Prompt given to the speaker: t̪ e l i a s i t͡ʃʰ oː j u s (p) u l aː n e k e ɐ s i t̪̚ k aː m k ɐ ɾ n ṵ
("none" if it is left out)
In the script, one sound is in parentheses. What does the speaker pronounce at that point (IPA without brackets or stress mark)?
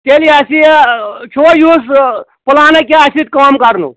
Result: p